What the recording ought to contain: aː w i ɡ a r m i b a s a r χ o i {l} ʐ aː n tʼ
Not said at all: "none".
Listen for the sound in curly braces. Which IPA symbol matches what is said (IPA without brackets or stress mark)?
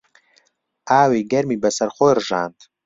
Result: r